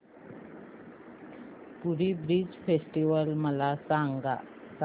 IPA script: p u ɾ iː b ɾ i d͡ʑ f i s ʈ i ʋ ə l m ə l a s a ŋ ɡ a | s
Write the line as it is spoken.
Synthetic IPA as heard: p u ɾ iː b ɾ i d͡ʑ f e s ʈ i ʋ ə l m ə l a s a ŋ ɡ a | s